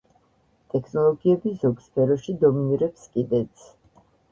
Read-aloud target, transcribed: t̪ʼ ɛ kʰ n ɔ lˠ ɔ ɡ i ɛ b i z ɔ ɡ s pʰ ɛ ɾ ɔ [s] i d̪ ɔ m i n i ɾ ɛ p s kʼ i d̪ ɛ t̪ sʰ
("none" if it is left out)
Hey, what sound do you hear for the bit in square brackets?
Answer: ʃ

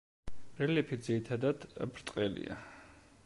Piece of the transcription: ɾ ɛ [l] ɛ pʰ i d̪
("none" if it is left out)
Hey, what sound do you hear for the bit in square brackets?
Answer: l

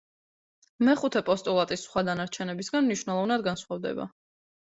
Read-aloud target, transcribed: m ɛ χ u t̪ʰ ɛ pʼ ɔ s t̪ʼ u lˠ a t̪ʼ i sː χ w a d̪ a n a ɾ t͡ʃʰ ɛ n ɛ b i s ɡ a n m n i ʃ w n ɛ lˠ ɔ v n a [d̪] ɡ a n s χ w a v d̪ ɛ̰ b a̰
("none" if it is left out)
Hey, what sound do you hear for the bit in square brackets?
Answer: d̪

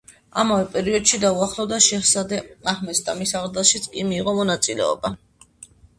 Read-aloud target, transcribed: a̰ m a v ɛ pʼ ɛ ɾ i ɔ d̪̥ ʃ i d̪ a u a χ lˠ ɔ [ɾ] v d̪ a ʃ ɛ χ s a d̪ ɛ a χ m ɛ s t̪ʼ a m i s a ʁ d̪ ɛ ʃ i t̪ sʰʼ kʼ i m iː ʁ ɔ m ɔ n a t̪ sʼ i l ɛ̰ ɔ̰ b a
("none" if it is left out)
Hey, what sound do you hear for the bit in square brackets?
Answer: none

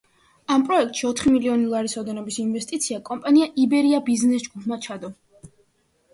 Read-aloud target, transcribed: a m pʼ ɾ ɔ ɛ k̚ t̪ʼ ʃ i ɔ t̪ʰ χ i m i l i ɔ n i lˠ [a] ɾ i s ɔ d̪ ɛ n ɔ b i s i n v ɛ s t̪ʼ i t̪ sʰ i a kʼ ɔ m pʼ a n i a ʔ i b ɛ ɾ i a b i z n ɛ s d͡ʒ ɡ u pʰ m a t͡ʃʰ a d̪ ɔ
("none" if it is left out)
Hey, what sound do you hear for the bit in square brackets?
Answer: a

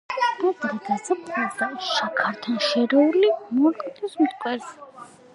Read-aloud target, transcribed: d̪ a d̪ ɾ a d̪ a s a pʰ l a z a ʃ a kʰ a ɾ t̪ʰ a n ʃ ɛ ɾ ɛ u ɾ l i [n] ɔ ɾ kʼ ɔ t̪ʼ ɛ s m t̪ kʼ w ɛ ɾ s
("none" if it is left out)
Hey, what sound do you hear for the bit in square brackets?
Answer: m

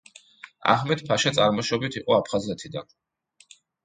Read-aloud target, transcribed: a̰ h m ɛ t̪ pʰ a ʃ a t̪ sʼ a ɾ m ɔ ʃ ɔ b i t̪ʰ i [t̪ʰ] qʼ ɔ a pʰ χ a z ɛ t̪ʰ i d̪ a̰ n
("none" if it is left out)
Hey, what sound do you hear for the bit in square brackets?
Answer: none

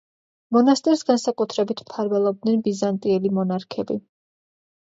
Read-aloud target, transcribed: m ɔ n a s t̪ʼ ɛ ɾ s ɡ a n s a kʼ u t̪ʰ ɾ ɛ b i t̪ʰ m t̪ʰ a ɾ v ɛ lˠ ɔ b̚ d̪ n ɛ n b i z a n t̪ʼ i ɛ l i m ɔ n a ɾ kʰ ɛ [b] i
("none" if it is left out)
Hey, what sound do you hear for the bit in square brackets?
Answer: b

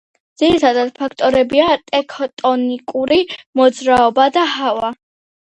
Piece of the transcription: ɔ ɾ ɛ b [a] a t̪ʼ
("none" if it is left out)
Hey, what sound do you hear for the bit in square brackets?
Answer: i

